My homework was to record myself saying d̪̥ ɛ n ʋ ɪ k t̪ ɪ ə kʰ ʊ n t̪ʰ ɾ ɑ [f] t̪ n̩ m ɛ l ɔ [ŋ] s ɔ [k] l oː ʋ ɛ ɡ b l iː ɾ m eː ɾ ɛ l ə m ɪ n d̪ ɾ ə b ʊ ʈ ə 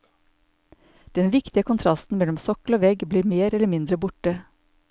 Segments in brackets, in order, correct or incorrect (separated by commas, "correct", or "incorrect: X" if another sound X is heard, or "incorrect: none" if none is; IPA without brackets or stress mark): incorrect: s, incorrect: m, correct